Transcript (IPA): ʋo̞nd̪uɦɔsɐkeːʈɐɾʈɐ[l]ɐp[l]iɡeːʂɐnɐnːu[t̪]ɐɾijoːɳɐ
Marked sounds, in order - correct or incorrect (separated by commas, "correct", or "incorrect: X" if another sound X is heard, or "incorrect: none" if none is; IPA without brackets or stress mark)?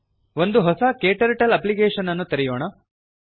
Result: correct, correct, correct